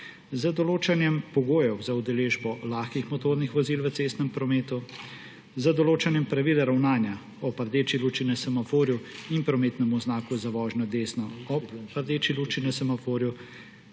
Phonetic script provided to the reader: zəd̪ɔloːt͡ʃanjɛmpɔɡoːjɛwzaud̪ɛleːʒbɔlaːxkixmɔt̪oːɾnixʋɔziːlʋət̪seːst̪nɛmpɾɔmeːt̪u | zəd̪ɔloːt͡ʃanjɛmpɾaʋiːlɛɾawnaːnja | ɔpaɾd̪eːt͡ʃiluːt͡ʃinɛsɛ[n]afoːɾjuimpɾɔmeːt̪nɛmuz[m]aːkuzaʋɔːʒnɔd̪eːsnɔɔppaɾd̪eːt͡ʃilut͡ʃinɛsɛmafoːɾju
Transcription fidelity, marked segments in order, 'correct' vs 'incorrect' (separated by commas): incorrect, incorrect